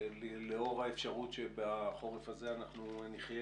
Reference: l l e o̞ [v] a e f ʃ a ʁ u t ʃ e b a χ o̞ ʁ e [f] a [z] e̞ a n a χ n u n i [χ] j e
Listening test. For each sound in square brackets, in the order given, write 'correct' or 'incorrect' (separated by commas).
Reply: incorrect, correct, correct, correct